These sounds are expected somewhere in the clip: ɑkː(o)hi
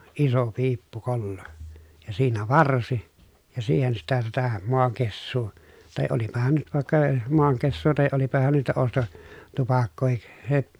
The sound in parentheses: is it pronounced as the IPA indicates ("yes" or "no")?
no